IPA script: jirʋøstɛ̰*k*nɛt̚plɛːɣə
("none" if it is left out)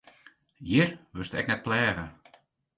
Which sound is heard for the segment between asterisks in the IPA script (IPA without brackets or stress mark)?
k